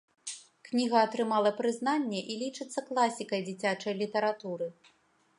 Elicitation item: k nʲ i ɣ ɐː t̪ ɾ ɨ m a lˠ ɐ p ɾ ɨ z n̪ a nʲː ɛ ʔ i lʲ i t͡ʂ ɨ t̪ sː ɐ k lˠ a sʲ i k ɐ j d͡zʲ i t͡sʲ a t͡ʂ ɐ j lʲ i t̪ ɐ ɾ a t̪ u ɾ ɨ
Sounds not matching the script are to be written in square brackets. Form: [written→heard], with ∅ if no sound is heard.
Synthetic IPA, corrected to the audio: k nʲ i ɣ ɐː t̪ ɾ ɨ m a lˠ ɐ p ɾ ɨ z n̪ a nʲː ɛ ʔ i lʲ i t͡ʂ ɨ t̪ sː ɐ k lˠ a sʲ i k ɐ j d͡zʲ i t͡sʲ a t͡ʂ ɐ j lʲ i t̪ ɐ ɾ a t̪ u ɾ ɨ